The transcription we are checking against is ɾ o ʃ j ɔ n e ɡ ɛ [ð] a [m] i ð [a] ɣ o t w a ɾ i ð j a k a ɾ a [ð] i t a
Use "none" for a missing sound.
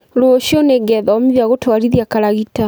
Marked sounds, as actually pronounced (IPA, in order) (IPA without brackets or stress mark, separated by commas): ð, m, a, ɣ